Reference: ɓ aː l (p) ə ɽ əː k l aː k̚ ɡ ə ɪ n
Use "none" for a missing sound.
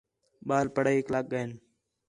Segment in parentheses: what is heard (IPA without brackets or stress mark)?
p